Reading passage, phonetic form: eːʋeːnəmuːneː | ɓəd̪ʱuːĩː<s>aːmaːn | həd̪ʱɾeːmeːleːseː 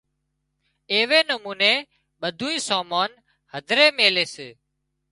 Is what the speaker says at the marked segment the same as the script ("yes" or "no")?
yes